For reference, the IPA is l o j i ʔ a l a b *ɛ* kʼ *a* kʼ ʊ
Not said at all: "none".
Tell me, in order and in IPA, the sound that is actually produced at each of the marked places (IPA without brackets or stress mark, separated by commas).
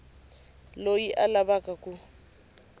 a, a